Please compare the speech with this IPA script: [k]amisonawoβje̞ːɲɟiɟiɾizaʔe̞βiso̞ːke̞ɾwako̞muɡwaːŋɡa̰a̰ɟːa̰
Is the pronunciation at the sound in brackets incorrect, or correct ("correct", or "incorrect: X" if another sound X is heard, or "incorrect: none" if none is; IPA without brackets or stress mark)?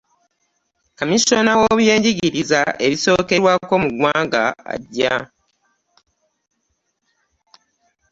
correct